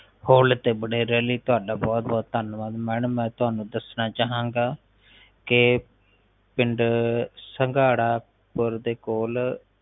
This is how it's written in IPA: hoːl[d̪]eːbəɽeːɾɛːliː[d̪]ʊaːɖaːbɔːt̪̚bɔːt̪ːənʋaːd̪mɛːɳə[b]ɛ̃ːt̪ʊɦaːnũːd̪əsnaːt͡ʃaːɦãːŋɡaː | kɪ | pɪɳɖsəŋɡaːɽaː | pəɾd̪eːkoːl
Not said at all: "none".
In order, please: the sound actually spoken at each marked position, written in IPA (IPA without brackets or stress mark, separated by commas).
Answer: t̪, t̪, m